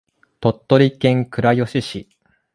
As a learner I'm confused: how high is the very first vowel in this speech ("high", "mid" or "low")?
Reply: mid